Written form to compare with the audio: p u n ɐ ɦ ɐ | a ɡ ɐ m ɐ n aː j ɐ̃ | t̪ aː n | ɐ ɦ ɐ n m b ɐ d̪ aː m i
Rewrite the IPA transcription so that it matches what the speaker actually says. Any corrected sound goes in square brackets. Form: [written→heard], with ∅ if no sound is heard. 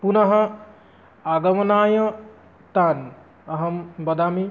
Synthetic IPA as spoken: p u n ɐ ɦ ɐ | a ɡ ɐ m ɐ n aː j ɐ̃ | t̪ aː n | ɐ ɦ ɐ [n→∅] m b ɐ d̪ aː m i